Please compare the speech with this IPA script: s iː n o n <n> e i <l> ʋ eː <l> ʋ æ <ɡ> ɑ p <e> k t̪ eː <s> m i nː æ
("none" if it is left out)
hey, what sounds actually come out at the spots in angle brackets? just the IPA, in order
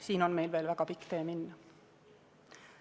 m, l, l, k, i, none

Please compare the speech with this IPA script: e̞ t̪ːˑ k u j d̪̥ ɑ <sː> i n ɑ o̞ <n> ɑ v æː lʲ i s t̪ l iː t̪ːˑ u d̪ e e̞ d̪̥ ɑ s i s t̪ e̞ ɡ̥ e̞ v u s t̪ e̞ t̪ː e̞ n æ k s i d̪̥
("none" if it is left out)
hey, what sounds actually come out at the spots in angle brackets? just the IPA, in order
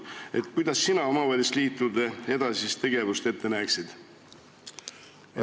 sː, m

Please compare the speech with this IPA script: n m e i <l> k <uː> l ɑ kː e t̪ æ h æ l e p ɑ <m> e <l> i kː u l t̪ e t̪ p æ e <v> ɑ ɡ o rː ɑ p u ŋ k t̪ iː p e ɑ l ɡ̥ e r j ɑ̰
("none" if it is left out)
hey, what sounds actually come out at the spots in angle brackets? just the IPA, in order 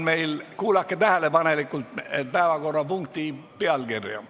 l, uː, n, l, ʋ

